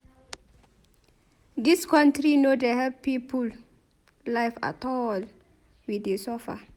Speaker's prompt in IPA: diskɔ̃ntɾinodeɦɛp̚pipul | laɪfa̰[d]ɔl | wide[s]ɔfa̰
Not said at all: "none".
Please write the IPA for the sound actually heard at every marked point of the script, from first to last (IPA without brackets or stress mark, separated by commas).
t, s